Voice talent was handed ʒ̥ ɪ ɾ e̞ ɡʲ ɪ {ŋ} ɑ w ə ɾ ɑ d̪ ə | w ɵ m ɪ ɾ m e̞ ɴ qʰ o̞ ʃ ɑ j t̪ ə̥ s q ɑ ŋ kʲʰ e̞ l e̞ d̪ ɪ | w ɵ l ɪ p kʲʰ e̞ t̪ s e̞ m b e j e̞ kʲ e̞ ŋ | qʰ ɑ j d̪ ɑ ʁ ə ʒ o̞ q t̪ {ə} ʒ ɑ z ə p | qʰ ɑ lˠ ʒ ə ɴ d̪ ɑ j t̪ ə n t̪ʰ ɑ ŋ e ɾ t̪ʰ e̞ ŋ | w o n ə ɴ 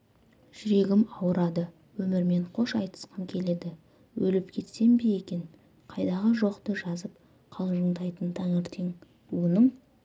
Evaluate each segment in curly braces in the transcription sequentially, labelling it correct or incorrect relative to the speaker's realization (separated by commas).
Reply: incorrect, correct